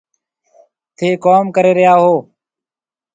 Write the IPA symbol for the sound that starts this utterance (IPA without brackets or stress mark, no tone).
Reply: t̪ʰ